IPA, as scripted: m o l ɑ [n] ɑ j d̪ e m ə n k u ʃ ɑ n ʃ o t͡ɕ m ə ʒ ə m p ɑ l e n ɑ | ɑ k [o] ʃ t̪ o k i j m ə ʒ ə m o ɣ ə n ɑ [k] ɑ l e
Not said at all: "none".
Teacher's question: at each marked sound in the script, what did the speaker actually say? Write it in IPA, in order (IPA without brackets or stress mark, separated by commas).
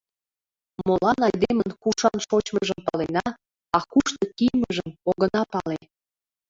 n, u, p